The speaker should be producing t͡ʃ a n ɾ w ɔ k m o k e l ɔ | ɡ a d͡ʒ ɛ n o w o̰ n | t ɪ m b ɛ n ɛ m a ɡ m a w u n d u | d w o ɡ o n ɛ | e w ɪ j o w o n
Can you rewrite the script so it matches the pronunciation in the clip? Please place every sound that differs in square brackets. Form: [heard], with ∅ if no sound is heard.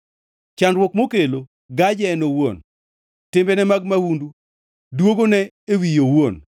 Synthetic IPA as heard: t͡ʃ a n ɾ w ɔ k m o k e l [o] | ɡ a d͡ʒ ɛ n o w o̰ n | t ɪ m b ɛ n ɛ m a ɡ m a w u n d u | d w o ɡ o n ɛ | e w [i] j o w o n